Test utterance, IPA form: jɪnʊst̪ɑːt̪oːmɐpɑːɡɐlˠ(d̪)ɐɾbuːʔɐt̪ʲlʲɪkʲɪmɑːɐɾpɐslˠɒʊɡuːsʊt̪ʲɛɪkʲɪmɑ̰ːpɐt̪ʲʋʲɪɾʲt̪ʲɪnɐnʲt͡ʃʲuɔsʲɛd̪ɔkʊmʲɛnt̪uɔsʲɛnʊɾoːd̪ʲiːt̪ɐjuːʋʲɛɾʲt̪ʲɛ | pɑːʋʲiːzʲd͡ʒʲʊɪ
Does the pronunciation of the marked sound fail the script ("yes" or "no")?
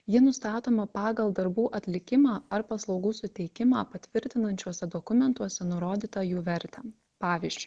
no